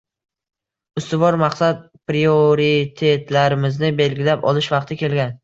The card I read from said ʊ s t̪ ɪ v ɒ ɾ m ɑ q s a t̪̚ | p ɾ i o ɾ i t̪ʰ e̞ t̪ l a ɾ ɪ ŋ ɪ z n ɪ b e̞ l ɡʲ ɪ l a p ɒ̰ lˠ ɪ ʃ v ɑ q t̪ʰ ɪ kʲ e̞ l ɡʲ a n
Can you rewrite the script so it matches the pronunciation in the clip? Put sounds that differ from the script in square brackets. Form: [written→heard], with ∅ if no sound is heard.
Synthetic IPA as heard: ʊ s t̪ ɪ v ɒ ɾ m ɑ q s a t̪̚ | p ɾ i o ɾ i t̪ʰ e̞ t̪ l a ɾ ɪ [ŋ→m] ɪ z n ɪ b e̞ l ɡʲ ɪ l a p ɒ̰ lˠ ɪ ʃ v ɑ q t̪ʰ ɪ kʲ e̞ l ɡʲ a n